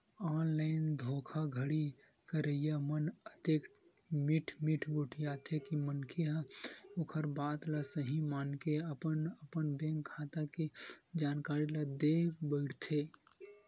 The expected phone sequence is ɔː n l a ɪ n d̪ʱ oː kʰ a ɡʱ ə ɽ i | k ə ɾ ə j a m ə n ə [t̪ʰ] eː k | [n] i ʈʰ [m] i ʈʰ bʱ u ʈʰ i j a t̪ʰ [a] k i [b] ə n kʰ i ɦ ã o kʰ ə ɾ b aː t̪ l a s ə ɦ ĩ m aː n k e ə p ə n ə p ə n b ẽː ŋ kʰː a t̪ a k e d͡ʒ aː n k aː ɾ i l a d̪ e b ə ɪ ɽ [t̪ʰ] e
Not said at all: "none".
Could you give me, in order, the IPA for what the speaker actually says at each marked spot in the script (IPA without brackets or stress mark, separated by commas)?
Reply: t̪, m, m, e, m, t̪ʰ